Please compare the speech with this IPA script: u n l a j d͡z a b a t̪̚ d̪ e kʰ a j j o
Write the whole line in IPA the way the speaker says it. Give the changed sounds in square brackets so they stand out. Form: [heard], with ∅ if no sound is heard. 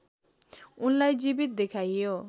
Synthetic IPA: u n l a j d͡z [i] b [i] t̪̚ d̪ e kʰ a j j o

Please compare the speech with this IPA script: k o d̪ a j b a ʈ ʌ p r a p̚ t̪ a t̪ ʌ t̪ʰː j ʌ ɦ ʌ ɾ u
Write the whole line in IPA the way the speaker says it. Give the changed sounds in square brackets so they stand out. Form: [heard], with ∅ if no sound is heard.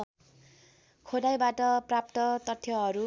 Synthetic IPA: [kʰ] o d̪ a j b a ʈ ʌ p r a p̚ t̪ [ʌ] t̪ ʌ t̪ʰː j ʌ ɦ ʌ ɾ u

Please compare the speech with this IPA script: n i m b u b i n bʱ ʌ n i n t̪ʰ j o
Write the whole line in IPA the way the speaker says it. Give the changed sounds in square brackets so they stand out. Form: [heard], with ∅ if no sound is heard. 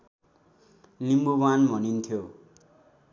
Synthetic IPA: n i m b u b [a] n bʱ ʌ n i n t̪ʰ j o

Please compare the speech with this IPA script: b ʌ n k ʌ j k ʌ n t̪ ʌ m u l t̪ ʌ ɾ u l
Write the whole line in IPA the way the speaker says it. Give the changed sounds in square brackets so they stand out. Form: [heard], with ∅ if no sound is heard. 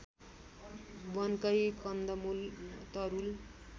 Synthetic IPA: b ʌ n k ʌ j k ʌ n [d̪] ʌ m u l t̪ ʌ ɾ u l

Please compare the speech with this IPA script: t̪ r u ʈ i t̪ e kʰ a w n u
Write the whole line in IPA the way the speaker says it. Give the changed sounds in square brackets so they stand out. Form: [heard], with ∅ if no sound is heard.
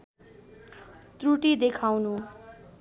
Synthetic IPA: t̪ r u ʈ i [d̪] e kʰ a w n u

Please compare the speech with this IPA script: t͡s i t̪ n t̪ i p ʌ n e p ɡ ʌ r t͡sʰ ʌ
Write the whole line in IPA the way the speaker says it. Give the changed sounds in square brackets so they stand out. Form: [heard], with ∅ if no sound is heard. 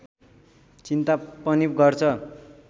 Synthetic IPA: t͡s i [∅] n t̪ [a] p ʌ n [i] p ɡ ʌ r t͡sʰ ʌ

